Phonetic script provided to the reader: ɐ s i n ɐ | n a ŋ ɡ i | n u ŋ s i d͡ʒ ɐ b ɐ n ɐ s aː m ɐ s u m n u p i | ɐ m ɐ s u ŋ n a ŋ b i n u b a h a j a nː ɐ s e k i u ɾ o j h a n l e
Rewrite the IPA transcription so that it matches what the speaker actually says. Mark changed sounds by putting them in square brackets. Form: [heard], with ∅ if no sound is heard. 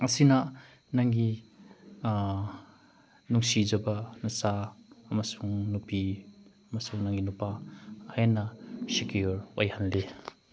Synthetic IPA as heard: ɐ s i n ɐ | n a ŋ ɡ i | n u ŋ s i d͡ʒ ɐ b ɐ n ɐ s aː m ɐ s u [ŋ] n u p i | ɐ m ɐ s u ŋ n a ŋ [ɡ] i n u [p] a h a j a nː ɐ s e k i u ɾ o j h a n l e